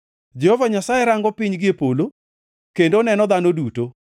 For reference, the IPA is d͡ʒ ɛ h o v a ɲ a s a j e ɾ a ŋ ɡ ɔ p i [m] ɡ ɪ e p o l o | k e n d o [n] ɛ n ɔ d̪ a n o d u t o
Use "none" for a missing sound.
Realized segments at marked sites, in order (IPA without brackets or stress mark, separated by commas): ɲ, n